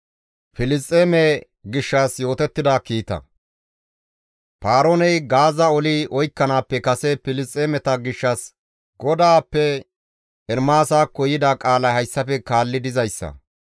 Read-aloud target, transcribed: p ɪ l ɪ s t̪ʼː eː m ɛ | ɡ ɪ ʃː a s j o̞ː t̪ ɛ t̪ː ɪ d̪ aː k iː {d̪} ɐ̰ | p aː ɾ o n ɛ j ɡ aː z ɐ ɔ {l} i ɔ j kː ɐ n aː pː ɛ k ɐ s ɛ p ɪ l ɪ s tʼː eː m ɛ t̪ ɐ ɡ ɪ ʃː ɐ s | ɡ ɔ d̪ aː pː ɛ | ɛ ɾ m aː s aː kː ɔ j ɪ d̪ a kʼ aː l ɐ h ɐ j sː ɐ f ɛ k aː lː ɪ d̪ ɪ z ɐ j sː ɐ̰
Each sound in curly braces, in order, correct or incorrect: incorrect: t̪, correct

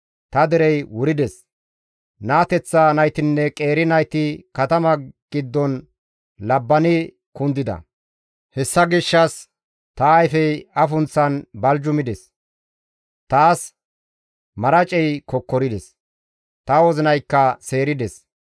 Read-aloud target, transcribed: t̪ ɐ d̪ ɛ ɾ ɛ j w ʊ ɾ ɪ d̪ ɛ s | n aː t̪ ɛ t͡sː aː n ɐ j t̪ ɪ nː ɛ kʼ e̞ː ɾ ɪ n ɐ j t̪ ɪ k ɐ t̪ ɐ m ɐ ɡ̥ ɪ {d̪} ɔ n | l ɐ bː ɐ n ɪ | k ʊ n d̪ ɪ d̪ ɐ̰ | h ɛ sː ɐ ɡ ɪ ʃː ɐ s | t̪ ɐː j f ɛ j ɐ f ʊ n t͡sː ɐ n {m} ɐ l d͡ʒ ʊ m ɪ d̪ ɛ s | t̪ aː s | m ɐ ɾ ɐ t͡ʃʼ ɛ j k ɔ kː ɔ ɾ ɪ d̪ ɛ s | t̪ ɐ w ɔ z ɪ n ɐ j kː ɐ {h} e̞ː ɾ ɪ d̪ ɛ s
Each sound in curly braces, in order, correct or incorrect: incorrect: d̪ː, incorrect: b, incorrect: s

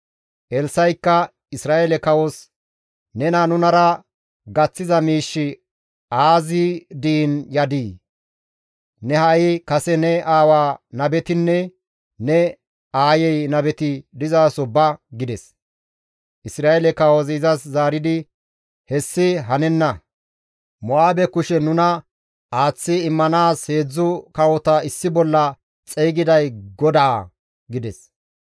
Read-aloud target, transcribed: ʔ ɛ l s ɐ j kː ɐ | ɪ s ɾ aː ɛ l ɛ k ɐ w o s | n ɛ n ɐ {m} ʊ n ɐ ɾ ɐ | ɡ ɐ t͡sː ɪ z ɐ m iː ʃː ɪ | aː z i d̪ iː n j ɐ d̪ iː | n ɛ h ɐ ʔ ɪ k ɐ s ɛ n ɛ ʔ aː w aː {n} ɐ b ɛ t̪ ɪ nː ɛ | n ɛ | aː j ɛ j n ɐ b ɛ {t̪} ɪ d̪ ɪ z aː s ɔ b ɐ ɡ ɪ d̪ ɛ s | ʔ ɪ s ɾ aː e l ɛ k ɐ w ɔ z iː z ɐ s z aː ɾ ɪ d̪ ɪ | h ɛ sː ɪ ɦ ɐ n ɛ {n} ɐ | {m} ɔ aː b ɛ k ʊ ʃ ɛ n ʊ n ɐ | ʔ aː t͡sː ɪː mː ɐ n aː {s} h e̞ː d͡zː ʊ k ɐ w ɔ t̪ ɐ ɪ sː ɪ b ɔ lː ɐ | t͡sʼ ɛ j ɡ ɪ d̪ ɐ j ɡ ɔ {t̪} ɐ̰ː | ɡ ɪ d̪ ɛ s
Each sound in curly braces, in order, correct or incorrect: incorrect: n, correct, correct, incorrect: nː, correct, correct, incorrect: d̪

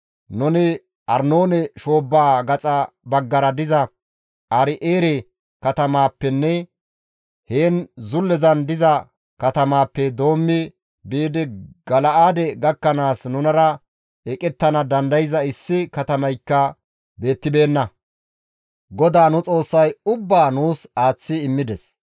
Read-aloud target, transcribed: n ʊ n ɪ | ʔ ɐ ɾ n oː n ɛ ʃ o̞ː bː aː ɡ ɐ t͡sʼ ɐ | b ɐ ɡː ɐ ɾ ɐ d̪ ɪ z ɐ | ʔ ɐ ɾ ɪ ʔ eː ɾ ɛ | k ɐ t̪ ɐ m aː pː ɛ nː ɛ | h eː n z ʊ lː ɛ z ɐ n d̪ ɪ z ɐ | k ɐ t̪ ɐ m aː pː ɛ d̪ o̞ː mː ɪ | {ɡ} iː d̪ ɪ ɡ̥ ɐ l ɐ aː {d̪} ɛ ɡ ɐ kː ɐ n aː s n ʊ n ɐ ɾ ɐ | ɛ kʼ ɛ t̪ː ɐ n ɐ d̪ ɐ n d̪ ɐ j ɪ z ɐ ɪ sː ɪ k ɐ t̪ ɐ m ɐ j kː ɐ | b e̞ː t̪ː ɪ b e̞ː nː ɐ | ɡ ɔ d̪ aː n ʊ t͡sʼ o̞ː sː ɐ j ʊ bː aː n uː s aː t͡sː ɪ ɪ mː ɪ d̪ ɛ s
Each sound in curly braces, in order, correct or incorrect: incorrect: b, correct

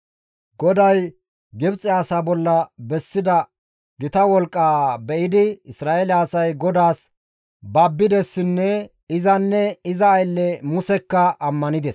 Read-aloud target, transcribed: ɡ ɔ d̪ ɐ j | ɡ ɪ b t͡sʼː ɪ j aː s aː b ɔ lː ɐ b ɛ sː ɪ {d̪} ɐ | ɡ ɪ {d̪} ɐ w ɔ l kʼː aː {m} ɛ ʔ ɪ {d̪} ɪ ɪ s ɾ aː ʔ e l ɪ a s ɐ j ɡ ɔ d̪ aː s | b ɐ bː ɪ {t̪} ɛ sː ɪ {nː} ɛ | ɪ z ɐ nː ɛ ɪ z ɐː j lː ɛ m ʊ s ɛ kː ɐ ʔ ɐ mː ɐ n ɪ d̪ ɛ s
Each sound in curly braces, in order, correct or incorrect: correct, incorrect: t̪, incorrect: b, correct, incorrect: d̪, correct

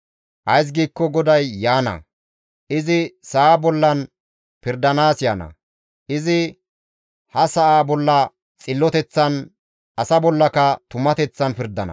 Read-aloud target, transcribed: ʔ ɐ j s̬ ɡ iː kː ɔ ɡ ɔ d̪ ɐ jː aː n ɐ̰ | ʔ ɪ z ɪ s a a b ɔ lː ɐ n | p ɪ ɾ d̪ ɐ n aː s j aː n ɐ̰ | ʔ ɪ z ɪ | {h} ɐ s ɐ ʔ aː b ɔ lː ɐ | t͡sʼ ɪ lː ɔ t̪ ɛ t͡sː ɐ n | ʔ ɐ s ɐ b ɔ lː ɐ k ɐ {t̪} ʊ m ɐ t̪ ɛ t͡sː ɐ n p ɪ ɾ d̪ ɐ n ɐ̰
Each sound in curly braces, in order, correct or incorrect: correct, correct

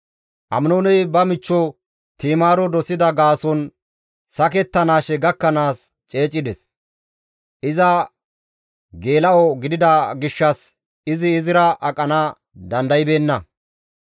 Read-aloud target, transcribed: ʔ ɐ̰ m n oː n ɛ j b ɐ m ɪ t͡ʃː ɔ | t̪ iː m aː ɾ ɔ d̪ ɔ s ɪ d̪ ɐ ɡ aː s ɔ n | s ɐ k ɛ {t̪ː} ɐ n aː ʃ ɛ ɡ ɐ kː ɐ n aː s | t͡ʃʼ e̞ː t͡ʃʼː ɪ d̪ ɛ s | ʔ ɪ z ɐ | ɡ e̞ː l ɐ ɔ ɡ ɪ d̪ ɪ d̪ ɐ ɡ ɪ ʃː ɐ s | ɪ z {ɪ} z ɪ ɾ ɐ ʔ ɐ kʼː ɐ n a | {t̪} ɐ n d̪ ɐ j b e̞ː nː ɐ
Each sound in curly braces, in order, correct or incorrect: correct, incorrect: ɪː, incorrect: d̪

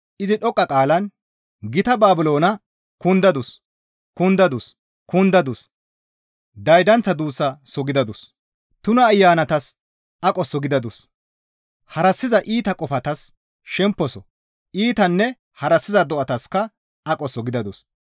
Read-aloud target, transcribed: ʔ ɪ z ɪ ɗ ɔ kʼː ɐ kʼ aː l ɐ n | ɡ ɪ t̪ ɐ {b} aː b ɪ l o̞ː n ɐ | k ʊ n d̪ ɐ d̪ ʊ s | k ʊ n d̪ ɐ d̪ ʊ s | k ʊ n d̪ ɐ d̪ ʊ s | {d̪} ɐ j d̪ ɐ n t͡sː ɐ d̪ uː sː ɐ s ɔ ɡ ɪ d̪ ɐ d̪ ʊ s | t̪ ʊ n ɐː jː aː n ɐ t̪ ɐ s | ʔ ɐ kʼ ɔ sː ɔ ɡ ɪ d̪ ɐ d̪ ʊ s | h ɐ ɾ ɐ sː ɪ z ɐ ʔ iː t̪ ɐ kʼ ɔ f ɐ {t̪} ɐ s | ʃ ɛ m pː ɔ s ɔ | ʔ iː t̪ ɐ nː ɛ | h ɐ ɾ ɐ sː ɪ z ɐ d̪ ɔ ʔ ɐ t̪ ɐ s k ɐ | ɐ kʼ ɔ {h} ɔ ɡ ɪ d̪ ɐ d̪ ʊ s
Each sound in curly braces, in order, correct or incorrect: correct, correct, correct, incorrect: s

